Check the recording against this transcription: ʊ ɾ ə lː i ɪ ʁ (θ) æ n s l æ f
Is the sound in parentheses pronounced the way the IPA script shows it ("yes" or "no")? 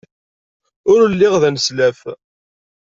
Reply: no